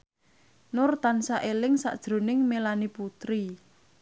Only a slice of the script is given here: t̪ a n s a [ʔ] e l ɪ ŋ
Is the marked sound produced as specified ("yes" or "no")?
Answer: yes